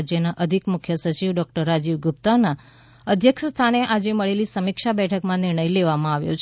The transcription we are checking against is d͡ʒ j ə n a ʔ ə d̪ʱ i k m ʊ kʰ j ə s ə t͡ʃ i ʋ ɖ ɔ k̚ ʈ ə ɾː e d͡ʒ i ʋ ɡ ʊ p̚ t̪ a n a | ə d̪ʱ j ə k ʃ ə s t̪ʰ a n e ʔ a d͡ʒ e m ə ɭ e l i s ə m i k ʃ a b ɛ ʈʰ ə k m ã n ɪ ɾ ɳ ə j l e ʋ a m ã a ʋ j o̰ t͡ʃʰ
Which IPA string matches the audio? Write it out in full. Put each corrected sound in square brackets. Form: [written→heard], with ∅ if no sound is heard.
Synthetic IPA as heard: d͡ʒ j ə n a ʔ ə d̪ʱ i k m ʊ kʰ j ə s ə t͡ʃ i ʋ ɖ ɔ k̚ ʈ ə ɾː [e→a] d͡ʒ i ʋ ɡ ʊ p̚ t̪ a n a | ə d̪ʱ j ə k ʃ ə s t̪ʰ a n e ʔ a d͡ʒ e m ə ɭ e l i s ə m i k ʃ a b ɛ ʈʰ ə k m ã n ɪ ɾ ɳ ə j l e ʋ a m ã a ʋ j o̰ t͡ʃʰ

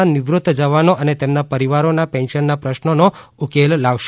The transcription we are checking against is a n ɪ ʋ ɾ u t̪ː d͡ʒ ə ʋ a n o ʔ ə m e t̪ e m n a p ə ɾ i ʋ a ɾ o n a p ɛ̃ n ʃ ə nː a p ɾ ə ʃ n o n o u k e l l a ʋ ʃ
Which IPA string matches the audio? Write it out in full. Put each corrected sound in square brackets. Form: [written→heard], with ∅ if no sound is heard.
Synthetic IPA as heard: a n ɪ ʋ ɾ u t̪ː d͡ʒ ə ʋ a n o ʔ ə [m→n] e t̪ e m n a p ə ɾ i ʋ a ɾ o n a p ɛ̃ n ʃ ə nː a p ɾ ə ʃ n o n o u k e l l a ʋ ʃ

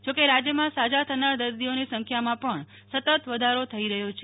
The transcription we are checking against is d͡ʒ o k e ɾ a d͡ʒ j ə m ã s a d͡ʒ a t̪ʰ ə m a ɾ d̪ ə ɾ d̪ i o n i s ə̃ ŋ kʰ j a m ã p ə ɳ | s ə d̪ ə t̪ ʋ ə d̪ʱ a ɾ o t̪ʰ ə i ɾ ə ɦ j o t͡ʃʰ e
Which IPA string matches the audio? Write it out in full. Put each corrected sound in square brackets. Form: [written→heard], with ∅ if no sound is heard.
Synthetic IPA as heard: d͡ʒ o k e ɾ a d͡ʒ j ə m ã s a d͡ʒ a t̪ʰ ə [m→n] a ɾ d̪ ə ɾ d̪ i o n i s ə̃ ŋ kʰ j a m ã p ə ɳ | s ə [d̪→t̪] ə t̪ ʋ ə d̪ʱ a ɾ o t̪ʰ ə i ɾ ə ɦ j o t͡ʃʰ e

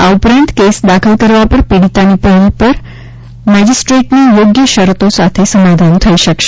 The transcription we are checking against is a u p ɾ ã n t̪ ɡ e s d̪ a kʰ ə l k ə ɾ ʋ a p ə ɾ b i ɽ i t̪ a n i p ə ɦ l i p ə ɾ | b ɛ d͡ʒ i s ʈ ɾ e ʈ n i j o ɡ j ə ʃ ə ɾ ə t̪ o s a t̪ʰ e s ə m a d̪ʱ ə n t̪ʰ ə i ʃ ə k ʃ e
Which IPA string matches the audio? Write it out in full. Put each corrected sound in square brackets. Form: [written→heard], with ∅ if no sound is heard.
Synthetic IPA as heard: a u p ɾ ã n t̪ [ɡ→k] e s d̪ a kʰ ə l k ə ɾ ʋ a p ə ɾ [b→p] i ɽ i t̪ a n i p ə ɦ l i p ə ɾ | [b→m] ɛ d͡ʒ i s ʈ ɾ e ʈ n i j o ɡ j ə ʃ ə ɾ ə t̪ o s a t̪ʰ e s ə m a d̪ʱ [ə→a] n t̪ʰ ə i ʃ ə k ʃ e

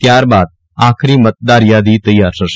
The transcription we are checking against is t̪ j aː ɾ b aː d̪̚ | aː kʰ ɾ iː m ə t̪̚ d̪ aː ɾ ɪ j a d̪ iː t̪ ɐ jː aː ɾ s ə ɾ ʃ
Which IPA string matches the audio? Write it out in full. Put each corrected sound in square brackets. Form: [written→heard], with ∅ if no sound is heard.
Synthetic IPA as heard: t̪ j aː ɾ b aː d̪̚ | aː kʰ ɾ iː m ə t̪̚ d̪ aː ɾ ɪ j a d̪ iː t̪ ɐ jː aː ɾ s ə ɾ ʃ

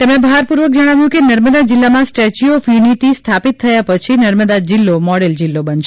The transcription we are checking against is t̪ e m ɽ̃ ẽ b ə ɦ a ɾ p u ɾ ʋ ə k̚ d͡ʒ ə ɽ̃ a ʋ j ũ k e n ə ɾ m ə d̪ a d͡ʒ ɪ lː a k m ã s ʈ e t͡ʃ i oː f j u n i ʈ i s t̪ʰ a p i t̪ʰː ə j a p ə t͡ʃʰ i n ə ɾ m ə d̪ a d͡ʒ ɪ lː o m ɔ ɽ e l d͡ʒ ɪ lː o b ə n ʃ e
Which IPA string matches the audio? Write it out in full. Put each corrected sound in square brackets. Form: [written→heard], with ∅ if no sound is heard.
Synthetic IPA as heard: t̪ e m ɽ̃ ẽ b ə ɦ a ɾ p u ɾ ʋ ə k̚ d͡ʒ ə ɽ̃ a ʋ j ũ k e n ə ɾ m ə d̪ a d͡ʒ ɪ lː a [k→∅] m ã s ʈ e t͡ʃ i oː f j u n i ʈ i s t̪ʰ a p i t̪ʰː ə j a p ə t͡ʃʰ i n ə ɾ m ə d̪ a d͡ʒ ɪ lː o m ɔ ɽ e l d͡ʒ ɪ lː o b ə n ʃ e

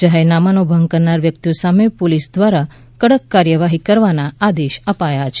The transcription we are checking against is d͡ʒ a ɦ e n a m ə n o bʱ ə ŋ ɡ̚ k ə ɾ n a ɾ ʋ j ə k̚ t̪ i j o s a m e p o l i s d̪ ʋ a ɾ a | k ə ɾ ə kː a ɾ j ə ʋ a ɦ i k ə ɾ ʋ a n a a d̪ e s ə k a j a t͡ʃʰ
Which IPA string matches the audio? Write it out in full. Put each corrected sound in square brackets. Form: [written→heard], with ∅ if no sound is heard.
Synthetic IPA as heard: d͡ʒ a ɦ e n a m [ə→a] n o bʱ ə ŋ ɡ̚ k ə ɾ n a ɾ ʋ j ə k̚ t̪ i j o s a m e p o l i s d̪ ʋ a ɾ a | k ə [ɾ→ɽ] ə kː a ɾ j ə ʋ a ɦ i k ə ɾ ʋ a n a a d̪ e [s→ʃ] ə [k→p] a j a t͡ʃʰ

